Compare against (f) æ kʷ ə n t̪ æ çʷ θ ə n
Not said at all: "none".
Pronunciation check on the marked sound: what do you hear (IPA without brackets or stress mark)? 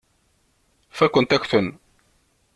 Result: f